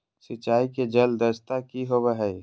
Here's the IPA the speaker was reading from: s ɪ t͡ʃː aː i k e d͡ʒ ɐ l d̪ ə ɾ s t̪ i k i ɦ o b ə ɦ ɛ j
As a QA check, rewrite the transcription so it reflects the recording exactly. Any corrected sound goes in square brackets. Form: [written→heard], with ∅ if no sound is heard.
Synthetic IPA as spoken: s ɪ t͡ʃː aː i k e d͡ʒ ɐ l d̪ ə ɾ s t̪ [i→a] k i ɦ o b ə ɦ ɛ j